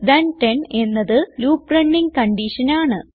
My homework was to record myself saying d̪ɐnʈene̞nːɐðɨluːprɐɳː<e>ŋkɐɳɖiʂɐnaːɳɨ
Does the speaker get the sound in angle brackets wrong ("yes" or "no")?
yes